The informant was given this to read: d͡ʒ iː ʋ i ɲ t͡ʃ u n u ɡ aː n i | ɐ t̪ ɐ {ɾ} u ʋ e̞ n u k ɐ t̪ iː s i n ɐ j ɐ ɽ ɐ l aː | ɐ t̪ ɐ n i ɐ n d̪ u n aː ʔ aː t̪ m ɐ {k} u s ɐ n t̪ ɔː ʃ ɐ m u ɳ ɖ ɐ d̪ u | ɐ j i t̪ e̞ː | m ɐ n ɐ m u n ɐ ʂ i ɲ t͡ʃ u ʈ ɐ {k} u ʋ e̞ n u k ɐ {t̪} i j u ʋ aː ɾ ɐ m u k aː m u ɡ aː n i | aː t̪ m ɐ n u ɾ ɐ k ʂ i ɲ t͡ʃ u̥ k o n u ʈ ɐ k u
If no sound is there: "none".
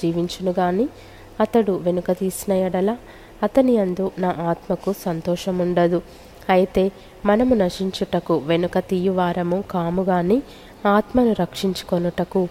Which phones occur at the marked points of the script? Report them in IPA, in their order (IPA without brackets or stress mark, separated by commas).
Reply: ɽ, k, k, t̪